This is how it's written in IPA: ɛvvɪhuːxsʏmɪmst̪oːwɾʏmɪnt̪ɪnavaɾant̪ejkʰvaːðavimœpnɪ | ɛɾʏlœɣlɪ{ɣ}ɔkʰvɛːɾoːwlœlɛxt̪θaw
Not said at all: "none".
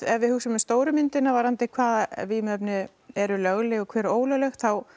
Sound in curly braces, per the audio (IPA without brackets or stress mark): ɣ